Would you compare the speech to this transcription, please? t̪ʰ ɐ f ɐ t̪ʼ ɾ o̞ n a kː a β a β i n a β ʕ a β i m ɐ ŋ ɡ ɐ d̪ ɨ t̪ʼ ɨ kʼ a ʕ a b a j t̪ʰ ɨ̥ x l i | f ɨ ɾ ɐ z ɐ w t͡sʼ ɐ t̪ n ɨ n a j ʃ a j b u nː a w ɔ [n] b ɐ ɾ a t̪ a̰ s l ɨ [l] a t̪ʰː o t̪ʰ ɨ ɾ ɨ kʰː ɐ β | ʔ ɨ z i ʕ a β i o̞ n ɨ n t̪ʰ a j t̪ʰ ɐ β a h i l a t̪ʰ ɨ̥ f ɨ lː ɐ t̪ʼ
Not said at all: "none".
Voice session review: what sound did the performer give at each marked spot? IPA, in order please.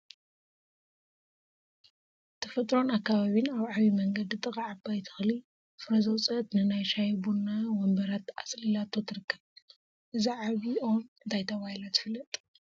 m, l

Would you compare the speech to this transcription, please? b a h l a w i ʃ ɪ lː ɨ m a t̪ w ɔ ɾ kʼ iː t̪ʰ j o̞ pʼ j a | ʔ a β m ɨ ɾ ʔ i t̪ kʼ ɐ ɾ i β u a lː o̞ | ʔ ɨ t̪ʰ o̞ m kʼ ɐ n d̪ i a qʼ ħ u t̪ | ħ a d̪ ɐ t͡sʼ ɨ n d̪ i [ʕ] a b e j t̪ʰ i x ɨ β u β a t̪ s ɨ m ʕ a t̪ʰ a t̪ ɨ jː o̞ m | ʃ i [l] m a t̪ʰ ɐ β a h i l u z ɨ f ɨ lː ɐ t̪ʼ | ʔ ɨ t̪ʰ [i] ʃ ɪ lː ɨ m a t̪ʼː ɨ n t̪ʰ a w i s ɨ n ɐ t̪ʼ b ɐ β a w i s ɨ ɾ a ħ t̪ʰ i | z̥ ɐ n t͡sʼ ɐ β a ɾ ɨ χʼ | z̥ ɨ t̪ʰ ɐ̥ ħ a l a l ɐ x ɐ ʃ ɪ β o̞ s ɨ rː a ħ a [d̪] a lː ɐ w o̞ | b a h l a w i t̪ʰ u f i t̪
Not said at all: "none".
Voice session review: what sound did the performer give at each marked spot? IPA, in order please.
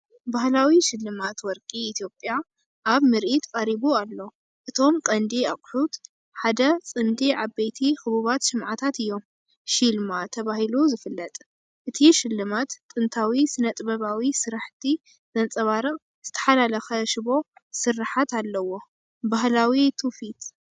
ʕ, l, i, t̪

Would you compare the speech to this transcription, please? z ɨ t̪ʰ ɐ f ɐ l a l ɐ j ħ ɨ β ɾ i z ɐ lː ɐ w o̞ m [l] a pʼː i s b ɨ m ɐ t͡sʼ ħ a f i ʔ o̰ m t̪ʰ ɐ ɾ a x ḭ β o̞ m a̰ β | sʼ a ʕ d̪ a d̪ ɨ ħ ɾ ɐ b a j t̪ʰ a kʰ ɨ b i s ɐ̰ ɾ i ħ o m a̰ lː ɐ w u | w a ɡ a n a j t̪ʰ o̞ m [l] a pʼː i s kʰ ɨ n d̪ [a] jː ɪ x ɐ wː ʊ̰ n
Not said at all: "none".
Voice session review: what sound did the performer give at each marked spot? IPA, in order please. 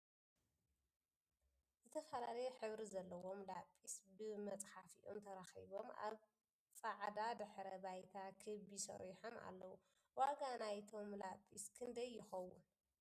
l, l, ɐ

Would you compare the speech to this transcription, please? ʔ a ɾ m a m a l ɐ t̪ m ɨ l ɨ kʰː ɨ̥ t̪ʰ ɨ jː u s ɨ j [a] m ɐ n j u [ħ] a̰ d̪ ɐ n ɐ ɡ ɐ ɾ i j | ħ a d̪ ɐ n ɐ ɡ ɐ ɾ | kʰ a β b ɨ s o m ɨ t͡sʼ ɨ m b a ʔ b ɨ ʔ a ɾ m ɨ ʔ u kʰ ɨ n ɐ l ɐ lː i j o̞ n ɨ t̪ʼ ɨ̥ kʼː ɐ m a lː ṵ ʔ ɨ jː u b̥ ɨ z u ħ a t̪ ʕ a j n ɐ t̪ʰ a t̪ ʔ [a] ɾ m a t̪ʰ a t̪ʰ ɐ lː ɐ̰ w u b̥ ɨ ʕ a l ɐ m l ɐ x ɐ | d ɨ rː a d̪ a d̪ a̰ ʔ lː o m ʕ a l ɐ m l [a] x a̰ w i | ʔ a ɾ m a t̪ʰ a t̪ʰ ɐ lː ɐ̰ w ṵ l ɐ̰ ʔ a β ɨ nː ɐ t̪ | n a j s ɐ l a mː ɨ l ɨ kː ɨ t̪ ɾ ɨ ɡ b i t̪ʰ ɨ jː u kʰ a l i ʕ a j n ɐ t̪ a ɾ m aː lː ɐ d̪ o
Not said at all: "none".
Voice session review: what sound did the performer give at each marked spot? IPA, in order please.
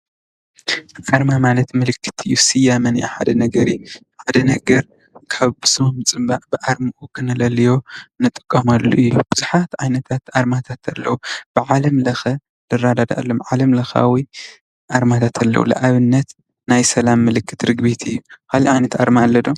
a, ħ, a, ɐ

